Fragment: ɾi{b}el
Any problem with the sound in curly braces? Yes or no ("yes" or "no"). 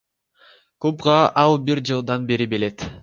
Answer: no